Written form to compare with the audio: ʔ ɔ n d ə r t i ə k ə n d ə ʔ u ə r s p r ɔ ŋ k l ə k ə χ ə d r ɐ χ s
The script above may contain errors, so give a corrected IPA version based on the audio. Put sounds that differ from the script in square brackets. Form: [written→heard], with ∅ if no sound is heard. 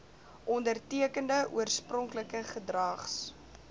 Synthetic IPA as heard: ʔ ɔ n d ə r t i ə k ə n d ə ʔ u ə r s p r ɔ ŋ k l ə k ə χ ə d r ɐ χ s